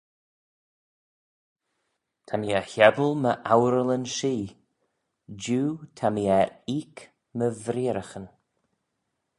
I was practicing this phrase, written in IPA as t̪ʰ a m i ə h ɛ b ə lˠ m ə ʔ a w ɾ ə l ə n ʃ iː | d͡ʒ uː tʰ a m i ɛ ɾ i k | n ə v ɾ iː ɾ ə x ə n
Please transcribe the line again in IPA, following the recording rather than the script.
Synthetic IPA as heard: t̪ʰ a m i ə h ɛ b ə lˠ m ə ʔ a w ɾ ə l ə n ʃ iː | d͡ʒ uː tʰ a m i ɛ ɾ i k | m ə v ɾ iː ɾ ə x ə n